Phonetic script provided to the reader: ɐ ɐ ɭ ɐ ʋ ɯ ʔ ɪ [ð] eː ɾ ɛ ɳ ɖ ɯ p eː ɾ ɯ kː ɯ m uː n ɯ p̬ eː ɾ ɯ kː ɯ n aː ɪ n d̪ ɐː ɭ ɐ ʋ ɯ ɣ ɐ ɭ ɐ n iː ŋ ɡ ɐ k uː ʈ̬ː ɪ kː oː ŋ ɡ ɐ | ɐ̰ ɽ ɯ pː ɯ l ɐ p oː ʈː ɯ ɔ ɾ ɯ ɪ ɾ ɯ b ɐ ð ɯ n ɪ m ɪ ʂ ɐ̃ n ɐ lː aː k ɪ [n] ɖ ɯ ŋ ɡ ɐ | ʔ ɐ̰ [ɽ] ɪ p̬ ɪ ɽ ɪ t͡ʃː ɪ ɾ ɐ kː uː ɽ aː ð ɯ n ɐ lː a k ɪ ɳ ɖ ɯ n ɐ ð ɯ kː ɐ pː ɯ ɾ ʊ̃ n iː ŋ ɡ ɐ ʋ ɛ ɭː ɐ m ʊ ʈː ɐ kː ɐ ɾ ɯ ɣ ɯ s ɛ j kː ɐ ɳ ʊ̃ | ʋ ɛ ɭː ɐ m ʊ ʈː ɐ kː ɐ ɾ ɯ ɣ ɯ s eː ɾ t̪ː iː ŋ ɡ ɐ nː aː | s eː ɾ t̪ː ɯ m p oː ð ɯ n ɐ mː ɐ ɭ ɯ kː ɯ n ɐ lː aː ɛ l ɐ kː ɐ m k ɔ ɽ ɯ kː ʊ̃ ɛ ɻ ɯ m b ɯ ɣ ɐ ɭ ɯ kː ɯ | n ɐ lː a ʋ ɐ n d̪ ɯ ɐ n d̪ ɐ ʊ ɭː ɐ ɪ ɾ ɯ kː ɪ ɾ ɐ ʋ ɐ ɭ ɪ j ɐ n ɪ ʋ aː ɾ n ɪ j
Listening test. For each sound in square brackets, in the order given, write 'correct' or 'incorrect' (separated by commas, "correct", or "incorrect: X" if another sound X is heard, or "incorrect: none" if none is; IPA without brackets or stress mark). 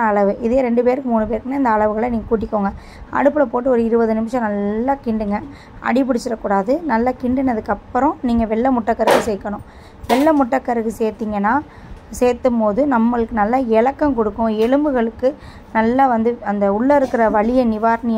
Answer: correct, incorrect: ɳ, correct